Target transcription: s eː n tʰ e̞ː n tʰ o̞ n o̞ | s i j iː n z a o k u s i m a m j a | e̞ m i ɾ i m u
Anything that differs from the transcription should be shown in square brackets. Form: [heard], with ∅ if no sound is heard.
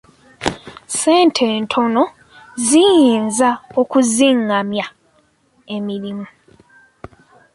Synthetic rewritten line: s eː n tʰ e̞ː n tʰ o̞ n o̞ | [z] i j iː n z a o k u [z] i [ŋ] a m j a | e̞ m i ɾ i m u